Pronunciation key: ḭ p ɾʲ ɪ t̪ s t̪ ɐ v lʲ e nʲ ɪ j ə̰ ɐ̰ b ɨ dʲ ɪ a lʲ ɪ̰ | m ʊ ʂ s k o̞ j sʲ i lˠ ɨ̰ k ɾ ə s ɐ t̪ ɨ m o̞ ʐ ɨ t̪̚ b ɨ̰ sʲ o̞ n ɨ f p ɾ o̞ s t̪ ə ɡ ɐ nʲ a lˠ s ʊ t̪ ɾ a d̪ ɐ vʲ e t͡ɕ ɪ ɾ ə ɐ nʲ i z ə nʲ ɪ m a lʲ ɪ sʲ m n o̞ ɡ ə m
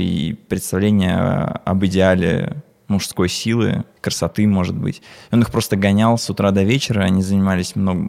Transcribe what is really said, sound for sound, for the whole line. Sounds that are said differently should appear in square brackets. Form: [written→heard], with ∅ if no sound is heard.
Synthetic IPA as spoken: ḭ p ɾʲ ɪ t̪ s t̪ ɐ v lʲ e nʲ ɪ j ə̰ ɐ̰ b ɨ dʲ ɪ a lʲ ɪ̰ | m ʊ ʂ s k o̞ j sʲ i lˠ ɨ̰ k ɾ ə s ɐ t̪ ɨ m o̞ ʐ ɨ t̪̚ b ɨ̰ [sʲ→tʲ] o̞ n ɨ [f→x] p ɾ o̞ s t̪ ə ɡ ɐ nʲ a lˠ s ʊ t̪ ɾ a d̪ ɐ vʲ e t͡ɕ ɪ ɾ ə ɐ nʲ i z ə nʲ ɪ m a lʲ ɪ sʲ m n o̞ ɡ ə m